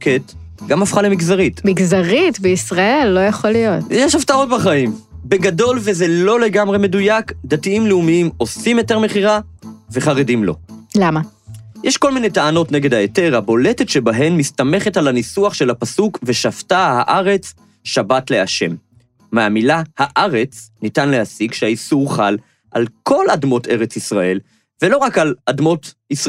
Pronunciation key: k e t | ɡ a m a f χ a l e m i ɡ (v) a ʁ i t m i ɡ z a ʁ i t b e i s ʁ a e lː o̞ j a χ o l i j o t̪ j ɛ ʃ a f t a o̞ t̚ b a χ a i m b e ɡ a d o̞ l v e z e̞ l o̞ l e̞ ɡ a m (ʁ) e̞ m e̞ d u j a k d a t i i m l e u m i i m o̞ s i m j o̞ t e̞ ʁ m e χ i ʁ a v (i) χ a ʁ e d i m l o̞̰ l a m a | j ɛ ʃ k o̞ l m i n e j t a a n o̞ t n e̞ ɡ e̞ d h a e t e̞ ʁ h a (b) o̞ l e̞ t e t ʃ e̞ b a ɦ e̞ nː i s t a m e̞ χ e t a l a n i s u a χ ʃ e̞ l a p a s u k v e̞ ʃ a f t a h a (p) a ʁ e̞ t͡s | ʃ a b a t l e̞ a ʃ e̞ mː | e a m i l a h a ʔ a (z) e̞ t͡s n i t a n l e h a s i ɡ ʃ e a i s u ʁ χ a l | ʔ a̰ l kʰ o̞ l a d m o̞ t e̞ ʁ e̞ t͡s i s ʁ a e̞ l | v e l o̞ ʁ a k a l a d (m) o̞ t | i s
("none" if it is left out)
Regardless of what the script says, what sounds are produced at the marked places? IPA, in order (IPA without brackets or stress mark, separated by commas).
z, ʁ, e, b, ʔ, ʁ, m